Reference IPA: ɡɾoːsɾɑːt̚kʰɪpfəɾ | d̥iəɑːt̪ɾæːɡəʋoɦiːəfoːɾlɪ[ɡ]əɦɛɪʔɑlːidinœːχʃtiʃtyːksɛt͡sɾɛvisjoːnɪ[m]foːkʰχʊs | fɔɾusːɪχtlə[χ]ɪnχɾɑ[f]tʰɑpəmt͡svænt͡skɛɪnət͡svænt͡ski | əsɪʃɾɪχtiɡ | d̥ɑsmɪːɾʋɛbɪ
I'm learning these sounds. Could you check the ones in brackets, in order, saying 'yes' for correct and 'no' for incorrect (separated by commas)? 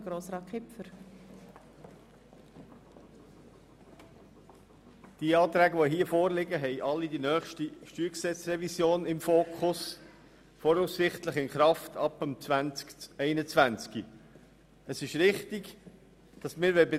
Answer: yes, yes, yes, yes